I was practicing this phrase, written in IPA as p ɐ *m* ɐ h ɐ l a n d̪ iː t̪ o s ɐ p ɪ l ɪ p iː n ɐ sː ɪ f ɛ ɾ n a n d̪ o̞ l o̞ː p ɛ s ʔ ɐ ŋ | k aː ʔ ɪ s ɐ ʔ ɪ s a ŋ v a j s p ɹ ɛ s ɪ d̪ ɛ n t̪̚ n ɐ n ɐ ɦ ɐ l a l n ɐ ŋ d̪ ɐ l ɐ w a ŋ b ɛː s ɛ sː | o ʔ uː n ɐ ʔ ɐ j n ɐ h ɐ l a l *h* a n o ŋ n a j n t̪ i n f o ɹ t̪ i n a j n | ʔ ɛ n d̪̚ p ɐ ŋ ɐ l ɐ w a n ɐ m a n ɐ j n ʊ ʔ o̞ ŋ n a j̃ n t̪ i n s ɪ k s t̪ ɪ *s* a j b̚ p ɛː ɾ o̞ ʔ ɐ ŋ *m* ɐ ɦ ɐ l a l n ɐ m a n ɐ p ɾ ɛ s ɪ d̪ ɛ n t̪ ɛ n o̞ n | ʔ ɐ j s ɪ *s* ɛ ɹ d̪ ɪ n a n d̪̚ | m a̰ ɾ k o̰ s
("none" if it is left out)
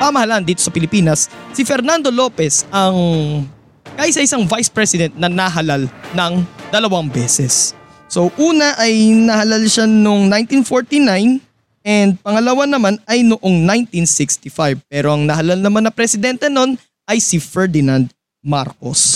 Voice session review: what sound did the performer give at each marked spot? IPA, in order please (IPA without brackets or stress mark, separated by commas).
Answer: m, ʃ, f, n, f